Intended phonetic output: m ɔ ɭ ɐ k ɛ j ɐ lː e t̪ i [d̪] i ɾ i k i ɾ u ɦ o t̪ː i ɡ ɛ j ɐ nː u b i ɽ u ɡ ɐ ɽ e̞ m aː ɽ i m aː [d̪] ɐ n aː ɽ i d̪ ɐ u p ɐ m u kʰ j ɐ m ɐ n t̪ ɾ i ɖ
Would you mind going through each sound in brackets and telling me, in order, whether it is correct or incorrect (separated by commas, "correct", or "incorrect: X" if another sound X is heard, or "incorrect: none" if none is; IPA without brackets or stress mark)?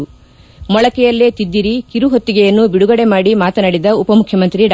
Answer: incorrect: d̪ː, incorrect: t̪